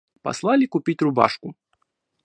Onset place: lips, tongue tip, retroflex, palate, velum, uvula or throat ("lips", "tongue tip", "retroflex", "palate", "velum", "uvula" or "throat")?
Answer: lips